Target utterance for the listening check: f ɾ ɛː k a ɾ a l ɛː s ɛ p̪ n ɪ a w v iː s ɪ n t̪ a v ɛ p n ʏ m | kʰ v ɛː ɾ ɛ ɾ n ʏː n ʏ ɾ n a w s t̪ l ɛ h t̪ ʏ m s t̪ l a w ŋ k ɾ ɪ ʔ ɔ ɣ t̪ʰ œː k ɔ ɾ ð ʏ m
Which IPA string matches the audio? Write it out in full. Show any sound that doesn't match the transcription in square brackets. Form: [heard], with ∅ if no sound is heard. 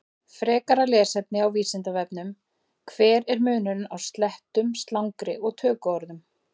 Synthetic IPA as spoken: f ɾ ɛː k a ɾ a l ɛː s ɛ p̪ n ɪ a w v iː s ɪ n t̪ a v ɛ p n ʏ m | kʰ v ɛː ɾ ɛ ɾ [m] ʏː n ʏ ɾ n a w s t̪ l ɛ h t̪ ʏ m s t̪ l a w ŋ k ɾ ɪ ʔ ɔ ɣ t̪ʰ œː k ɔ ɾ ð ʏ m